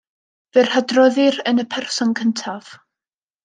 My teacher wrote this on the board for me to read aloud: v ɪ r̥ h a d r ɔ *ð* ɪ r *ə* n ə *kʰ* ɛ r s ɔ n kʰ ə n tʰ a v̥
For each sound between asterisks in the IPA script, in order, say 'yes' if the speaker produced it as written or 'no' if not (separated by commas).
yes, yes, no